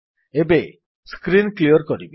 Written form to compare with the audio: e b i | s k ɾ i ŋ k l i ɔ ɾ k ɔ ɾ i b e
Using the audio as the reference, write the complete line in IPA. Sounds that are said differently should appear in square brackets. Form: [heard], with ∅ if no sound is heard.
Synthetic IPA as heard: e b [e] | s k ɾ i [n] k l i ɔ ɾ k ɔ ɾ i b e